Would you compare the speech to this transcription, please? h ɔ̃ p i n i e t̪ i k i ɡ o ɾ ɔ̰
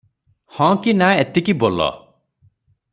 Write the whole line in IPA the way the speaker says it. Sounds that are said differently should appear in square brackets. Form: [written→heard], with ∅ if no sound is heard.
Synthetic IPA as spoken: h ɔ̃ [p→k] i n [i→a] e t̪ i k i [ɡ→b] o [ɾ→l] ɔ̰